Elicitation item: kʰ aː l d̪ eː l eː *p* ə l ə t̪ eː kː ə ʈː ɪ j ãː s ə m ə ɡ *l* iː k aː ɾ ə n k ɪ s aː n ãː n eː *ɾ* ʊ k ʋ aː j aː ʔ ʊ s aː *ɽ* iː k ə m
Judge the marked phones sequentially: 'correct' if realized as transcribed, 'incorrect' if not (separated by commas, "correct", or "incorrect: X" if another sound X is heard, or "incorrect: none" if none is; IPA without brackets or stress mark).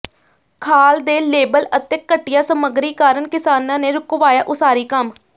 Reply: incorrect: b, incorrect: ɾ, correct, incorrect: ɾ